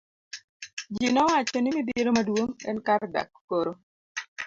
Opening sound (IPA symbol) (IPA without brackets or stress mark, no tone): d͡ʒ